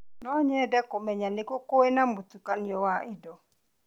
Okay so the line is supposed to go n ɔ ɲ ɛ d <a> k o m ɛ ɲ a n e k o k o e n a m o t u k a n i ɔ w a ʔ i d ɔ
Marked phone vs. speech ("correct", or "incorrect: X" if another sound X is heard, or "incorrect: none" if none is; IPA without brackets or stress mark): incorrect: ɛ